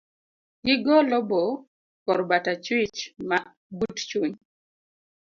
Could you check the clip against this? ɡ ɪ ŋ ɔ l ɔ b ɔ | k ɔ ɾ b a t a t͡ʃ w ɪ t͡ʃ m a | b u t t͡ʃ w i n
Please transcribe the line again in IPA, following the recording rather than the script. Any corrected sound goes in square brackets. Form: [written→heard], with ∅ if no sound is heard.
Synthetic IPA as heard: ɡ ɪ [ŋ→ɡ] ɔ l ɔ b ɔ | k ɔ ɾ b a t a t͡ʃ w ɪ t͡ʃ m a | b u t t͡ʃ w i [n→ɲ]